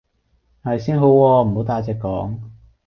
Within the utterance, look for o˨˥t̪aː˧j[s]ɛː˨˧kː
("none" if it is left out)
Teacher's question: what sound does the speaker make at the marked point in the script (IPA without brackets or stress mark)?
t͡s